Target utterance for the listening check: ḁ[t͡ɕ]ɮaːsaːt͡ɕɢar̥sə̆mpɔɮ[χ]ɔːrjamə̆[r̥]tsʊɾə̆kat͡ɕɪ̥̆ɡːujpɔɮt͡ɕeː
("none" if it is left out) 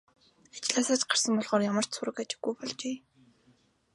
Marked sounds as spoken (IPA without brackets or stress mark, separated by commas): t͡ɕ, ʁ, r̥